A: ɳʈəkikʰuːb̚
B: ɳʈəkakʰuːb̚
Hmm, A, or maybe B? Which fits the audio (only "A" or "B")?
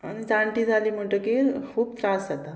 A